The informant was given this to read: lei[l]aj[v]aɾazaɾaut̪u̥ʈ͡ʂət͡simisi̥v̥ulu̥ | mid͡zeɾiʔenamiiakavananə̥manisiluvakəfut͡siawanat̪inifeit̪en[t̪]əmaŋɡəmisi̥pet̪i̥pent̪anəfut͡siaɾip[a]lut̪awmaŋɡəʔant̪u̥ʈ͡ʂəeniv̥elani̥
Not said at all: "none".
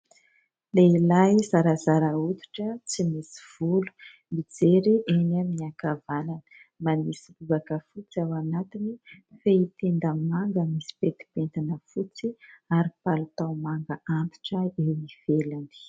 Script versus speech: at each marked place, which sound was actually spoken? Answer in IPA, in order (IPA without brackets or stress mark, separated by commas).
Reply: l, z, d̪, a